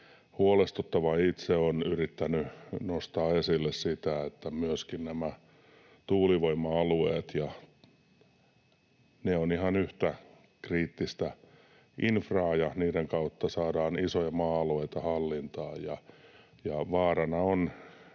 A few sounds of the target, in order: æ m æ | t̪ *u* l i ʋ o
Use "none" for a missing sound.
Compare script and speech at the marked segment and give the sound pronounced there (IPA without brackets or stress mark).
uː